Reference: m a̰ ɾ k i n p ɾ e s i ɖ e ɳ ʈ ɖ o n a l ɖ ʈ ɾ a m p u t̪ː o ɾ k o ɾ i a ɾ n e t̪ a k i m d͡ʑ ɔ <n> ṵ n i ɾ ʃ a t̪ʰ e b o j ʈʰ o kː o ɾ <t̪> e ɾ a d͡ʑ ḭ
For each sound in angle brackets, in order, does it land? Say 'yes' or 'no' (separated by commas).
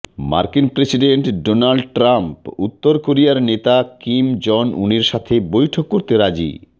yes, yes